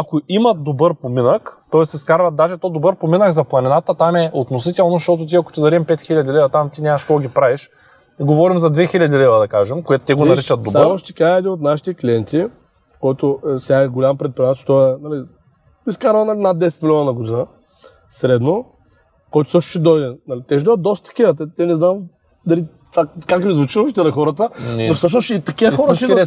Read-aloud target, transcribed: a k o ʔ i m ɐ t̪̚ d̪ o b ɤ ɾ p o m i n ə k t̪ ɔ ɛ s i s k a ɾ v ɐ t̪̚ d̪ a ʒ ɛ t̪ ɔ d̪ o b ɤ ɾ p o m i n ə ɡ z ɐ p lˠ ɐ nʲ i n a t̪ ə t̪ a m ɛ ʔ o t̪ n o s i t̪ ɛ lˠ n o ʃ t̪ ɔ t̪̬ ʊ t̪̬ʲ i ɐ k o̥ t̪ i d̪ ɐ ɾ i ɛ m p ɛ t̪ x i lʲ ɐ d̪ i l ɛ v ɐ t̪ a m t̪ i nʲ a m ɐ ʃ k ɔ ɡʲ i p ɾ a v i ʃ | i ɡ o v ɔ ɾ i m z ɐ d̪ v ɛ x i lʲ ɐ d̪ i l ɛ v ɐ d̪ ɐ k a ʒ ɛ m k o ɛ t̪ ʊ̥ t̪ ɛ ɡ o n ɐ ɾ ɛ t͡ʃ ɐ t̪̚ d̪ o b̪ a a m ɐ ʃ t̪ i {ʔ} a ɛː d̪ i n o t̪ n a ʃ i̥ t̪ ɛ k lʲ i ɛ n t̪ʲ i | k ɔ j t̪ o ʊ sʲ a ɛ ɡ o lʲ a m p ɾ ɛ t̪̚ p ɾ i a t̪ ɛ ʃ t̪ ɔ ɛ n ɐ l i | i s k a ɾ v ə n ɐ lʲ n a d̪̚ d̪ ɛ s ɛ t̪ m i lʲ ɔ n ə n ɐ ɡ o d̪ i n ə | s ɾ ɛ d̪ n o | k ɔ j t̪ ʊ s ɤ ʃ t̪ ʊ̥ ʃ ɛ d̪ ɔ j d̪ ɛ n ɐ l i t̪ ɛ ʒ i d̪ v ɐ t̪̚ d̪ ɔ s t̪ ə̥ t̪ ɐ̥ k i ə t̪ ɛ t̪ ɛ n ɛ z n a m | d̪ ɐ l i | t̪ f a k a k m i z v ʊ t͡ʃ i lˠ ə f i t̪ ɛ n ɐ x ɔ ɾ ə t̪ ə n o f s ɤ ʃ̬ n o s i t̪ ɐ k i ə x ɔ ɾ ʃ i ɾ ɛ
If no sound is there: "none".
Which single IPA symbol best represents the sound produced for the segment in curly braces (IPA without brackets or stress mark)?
k